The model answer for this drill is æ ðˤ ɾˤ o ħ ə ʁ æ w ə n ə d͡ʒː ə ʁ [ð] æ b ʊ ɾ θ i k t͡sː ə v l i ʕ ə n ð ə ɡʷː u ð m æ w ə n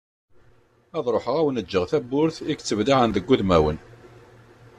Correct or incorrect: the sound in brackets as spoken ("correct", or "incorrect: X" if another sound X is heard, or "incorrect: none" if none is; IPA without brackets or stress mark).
incorrect: θ